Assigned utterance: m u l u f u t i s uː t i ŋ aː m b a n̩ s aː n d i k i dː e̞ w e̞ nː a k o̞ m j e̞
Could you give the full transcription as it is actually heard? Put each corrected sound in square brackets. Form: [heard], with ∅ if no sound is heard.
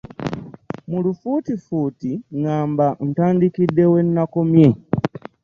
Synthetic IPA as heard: m u l u f u t i [f] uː t i ŋ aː m b a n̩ [t] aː n d i k i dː e̞ w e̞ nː a k o̞ m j e̞